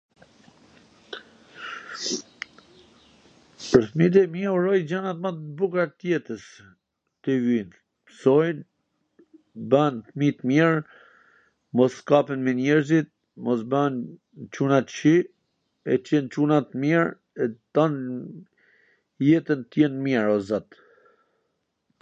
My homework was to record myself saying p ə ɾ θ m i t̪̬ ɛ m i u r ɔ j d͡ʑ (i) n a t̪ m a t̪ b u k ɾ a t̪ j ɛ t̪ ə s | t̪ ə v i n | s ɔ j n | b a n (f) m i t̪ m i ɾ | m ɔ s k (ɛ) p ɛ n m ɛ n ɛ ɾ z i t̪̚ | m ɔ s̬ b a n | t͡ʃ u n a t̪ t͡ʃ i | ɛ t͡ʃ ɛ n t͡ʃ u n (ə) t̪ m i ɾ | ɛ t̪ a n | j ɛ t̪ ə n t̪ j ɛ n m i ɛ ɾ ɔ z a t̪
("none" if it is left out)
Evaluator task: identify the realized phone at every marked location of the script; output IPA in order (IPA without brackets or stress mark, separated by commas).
a, θ, a, a